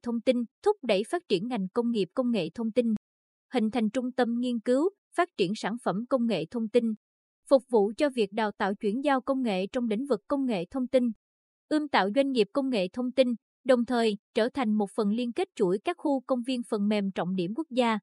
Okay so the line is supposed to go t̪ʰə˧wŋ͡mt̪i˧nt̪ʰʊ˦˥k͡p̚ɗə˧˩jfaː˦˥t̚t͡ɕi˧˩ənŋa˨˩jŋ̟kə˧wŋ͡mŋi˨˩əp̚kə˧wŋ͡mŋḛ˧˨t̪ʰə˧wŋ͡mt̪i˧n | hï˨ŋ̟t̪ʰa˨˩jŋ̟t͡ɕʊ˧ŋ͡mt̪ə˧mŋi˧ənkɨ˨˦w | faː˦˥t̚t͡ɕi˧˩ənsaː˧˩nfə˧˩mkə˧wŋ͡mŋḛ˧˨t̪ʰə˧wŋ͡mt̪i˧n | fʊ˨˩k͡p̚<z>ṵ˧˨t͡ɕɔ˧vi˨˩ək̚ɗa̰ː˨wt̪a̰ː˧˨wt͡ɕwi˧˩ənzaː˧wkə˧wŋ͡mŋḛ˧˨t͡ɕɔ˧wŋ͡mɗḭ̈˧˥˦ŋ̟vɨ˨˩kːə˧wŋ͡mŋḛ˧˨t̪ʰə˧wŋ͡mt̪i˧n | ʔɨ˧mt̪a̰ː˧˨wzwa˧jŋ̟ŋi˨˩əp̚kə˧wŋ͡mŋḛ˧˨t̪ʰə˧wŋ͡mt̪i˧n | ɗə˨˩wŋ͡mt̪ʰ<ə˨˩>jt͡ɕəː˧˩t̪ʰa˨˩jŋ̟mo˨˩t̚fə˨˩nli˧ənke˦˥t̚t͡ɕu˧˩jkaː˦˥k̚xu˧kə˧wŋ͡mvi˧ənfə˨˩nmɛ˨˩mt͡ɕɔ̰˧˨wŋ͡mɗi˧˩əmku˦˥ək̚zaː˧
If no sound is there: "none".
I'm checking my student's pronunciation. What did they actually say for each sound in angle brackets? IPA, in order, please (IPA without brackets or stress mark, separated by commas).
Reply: v, əː˨˩